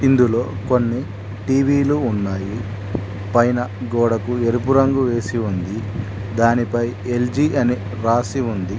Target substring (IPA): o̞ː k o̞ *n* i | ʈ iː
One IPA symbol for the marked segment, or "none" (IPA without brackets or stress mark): nː